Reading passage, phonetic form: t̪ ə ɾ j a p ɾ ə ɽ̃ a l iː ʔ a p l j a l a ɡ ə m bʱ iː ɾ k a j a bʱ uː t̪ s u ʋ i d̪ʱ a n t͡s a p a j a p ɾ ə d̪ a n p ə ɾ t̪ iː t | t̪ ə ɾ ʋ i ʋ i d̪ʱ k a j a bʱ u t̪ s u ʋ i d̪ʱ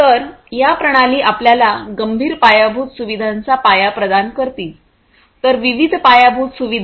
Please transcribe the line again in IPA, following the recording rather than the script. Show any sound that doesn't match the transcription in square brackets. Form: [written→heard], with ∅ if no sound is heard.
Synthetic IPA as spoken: t̪ ə ɾ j a p ɾ ə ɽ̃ a l iː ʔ a p l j a l a ɡ ə m bʱ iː ɾ [k→p] a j a bʱ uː t̪ s u ʋ i d̪ʱ a n t͡s a p a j a p ɾ ə d̪ a n [p→k] ə ɾ t̪ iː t | t̪ ə ɾ ʋ i ʋ i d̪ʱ [k→p] a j a bʱ u t̪ s u ʋ i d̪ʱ